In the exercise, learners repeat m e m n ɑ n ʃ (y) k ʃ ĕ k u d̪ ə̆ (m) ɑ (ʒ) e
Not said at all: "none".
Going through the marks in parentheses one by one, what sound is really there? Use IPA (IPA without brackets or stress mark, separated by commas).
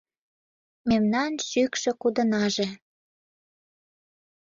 y, n, ʒ